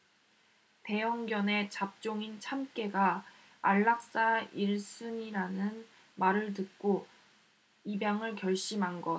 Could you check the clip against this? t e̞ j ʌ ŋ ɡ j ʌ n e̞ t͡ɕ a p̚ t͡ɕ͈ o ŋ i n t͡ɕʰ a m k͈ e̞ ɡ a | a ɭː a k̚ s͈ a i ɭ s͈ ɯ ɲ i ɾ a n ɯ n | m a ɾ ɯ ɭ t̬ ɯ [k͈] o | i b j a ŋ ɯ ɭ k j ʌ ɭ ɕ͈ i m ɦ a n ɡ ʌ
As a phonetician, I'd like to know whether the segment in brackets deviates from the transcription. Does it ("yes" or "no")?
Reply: no